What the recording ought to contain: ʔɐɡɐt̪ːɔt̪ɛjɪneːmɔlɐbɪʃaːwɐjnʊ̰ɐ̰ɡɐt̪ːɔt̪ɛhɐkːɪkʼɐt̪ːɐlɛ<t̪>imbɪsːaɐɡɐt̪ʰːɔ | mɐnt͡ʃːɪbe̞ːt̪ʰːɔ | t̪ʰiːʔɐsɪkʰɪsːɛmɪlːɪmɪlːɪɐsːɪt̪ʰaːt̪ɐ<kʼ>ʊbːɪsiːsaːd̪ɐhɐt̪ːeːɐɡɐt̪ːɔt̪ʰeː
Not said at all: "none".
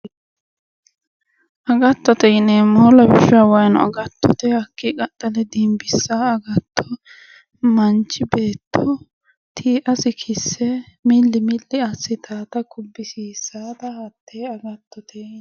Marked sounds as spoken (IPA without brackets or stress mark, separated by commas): d̪, k